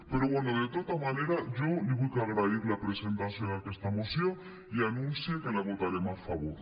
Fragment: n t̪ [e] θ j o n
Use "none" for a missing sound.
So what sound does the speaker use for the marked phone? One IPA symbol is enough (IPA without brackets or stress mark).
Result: a